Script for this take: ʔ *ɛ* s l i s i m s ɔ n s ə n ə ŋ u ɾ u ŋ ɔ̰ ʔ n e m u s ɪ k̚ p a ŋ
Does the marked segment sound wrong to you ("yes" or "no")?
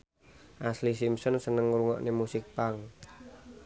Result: yes